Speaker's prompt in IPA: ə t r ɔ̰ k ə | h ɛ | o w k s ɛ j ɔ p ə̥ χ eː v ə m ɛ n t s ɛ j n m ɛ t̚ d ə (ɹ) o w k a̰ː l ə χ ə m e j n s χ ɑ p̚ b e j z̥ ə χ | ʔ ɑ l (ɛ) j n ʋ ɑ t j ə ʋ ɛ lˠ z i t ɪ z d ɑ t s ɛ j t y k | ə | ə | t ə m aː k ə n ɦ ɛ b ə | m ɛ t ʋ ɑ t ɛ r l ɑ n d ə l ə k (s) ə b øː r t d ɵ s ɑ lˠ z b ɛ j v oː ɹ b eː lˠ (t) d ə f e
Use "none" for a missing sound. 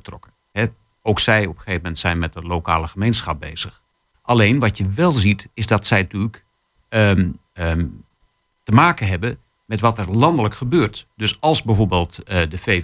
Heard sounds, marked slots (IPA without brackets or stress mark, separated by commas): l, e, χ, t